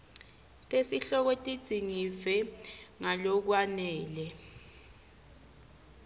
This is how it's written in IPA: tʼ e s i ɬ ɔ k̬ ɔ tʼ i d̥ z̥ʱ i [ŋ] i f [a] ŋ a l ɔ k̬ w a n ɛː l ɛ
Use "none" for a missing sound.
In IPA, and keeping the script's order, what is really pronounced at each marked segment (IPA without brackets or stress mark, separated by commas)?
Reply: ŋ, ɛ